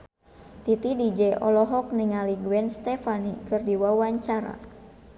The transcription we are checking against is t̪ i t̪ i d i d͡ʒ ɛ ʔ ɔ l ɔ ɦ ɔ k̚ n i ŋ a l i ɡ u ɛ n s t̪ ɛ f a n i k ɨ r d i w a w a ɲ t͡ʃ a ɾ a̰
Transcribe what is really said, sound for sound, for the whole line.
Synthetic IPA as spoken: t̪ i t̪ i d i d͡ʒ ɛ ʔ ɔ l ɔ ɦ ɔ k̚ n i ŋ a l i ɡ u ɛ n s t̪ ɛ f a n i k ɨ r d i w a w a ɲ t͡ʃ a ɾ a̰